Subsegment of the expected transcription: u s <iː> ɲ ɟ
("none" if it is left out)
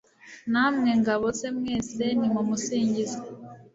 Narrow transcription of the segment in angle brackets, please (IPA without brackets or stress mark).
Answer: iː